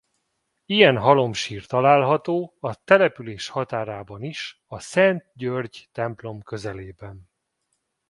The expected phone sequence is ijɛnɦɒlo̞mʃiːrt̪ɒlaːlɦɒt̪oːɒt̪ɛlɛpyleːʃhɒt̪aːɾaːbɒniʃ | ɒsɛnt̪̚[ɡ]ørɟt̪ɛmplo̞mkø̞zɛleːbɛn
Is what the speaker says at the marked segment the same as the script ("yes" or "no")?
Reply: no